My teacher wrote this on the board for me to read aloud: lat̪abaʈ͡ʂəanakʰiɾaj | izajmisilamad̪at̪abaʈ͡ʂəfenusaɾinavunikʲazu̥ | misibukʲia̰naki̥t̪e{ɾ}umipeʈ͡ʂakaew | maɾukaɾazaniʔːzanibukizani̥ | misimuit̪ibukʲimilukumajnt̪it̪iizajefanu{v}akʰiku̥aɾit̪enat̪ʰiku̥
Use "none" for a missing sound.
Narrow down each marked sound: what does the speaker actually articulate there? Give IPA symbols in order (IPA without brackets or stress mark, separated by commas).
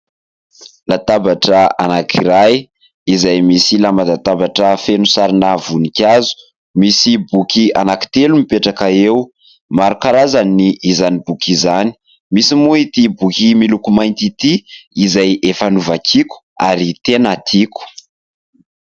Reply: l, v